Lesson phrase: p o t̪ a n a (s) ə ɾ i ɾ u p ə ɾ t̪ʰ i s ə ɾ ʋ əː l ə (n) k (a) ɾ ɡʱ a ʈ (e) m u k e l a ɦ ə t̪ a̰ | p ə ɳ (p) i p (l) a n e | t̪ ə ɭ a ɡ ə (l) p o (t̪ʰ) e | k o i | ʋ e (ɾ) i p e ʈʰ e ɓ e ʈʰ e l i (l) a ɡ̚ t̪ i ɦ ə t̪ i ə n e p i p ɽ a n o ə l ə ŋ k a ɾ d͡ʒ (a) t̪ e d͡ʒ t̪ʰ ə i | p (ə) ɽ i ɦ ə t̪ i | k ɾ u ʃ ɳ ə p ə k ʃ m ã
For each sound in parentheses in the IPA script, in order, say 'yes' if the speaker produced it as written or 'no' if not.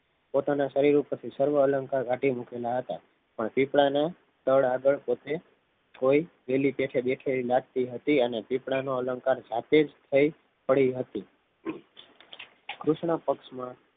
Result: no, no, yes, no, yes, no, no, no, no, yes, yes, yes

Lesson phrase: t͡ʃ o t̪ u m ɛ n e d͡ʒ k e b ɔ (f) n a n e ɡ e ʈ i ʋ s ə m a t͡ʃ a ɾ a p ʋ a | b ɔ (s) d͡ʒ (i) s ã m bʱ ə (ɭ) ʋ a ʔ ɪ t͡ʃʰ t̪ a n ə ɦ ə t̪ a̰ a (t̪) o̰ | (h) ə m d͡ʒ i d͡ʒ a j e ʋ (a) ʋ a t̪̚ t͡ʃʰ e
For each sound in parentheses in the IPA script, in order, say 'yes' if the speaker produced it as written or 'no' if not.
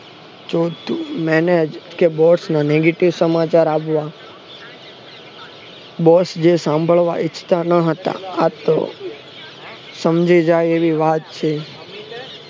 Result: no, yes, no, yes, yes, no, no

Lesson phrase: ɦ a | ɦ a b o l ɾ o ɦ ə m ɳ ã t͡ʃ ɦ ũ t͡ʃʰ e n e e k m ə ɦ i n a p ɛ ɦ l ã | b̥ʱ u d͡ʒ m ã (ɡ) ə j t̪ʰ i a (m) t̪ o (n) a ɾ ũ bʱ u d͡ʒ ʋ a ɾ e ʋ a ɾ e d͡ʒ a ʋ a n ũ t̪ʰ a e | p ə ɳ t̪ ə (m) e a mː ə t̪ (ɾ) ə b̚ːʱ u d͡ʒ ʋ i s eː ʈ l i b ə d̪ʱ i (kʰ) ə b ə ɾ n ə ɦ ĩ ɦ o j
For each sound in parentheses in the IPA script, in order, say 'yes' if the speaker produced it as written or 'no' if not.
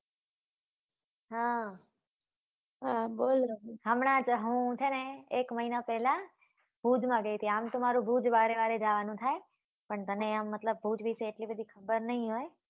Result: yes, yes, no, no, no, yes

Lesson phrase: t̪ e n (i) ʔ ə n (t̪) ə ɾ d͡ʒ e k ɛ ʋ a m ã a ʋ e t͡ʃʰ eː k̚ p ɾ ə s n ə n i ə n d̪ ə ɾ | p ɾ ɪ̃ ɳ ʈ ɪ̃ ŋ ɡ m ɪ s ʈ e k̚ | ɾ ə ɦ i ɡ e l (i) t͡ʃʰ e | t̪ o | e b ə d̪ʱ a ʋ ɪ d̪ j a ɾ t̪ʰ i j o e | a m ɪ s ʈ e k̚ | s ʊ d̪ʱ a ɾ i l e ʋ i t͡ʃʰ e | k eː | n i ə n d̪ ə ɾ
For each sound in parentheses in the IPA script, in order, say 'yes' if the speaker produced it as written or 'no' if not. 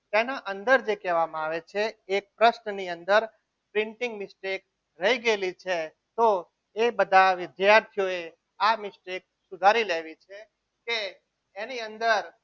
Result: no, no, yes

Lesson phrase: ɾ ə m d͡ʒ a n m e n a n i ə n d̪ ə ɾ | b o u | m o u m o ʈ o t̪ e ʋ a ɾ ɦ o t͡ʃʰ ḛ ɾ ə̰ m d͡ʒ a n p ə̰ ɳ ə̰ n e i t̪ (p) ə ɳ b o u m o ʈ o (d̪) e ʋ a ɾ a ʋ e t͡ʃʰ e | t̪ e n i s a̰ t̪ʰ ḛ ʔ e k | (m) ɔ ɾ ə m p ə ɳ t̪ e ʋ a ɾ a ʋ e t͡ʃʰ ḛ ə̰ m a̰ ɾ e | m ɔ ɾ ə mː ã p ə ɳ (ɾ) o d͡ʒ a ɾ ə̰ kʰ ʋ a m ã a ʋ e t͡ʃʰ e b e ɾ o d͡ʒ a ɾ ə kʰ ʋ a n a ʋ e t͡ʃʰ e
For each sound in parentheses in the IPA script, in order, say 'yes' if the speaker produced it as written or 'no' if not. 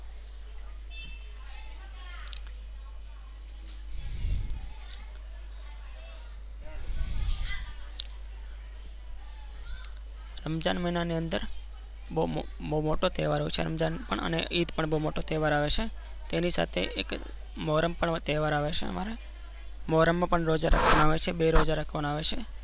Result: yes, no, yes, yes

